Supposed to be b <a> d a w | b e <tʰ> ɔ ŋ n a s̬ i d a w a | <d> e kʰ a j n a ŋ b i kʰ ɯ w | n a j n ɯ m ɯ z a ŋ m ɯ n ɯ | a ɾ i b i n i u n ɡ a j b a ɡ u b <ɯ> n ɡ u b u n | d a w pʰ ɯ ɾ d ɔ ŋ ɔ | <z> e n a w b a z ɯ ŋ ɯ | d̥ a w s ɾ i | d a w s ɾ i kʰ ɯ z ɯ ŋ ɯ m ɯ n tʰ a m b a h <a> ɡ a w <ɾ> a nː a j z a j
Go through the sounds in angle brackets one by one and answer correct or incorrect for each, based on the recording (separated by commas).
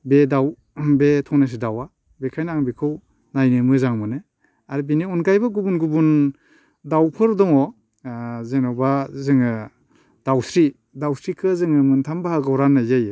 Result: incorrect, correct, incorrect, incorrect, correct, correct, correct